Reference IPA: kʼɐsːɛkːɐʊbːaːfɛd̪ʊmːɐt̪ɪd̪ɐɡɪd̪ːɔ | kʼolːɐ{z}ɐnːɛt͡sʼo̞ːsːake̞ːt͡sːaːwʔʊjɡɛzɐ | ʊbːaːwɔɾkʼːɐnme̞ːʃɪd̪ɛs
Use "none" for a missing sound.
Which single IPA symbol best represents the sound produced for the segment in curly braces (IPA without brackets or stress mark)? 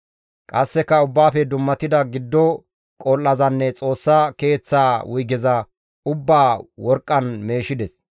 z